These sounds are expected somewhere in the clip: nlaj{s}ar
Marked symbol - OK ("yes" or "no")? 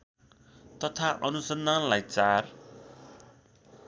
no